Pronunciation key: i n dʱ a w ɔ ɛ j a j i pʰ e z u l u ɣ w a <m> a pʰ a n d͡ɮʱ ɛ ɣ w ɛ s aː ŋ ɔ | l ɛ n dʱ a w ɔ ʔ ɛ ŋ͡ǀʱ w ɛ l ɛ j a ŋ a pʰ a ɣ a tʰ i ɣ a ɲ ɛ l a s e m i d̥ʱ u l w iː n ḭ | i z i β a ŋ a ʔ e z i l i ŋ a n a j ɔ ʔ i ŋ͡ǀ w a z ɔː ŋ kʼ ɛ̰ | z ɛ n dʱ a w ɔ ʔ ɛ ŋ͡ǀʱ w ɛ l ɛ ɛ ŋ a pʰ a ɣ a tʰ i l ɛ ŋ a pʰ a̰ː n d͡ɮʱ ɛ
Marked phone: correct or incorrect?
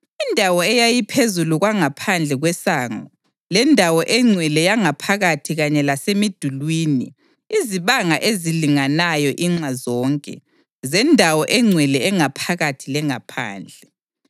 incorrect: ŋ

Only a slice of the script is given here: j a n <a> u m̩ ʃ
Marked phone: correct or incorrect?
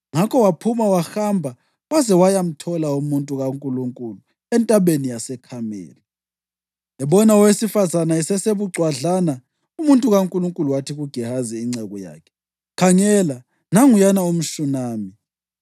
correct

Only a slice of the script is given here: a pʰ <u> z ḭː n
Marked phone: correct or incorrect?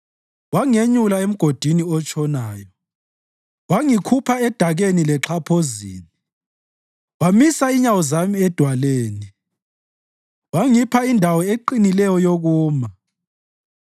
incorrect: o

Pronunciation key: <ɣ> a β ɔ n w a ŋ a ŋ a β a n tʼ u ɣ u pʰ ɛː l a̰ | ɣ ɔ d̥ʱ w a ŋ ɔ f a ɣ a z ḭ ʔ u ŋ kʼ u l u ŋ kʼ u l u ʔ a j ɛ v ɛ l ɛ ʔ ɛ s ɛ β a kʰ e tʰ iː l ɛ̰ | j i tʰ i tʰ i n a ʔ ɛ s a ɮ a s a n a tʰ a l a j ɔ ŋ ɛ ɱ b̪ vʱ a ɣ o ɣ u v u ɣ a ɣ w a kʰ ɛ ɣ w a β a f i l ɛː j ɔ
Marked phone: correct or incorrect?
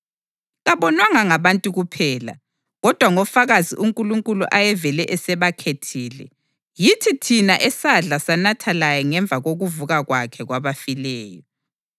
correct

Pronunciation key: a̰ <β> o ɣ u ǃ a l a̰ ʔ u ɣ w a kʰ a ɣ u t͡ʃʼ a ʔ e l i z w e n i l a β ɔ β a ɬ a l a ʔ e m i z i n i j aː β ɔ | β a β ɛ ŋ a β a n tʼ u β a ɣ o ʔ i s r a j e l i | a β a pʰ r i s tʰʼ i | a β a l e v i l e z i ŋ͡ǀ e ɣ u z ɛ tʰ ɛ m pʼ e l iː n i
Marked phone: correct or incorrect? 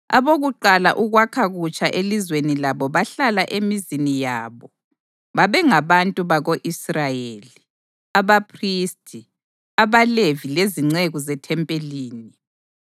correct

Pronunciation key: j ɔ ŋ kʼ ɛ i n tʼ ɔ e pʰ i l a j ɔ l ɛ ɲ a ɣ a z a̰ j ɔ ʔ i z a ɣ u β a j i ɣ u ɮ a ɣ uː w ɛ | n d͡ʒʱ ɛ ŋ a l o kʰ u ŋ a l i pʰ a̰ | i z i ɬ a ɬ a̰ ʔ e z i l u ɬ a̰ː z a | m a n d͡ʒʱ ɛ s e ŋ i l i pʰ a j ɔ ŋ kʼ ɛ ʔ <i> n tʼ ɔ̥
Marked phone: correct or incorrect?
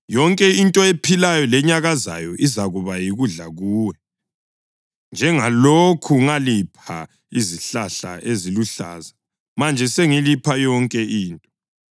incorrect: iː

